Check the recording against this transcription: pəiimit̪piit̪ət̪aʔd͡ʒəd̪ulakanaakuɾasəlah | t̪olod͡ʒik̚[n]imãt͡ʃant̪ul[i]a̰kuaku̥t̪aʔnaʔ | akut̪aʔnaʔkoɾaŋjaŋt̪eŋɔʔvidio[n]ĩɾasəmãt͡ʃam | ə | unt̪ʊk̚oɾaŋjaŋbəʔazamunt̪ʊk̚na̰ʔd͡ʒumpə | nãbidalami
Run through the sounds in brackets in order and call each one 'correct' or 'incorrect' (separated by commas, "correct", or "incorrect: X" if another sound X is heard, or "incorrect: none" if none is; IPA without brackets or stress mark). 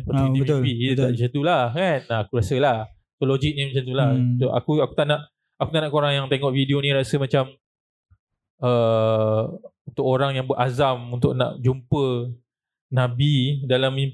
correct, incorrect: a, correct